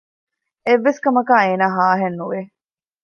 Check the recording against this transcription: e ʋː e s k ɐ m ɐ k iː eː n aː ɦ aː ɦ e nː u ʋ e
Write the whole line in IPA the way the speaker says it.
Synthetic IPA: e ʋː e s k ɐ m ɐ k aː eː n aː ɦ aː ɦ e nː u ʋ e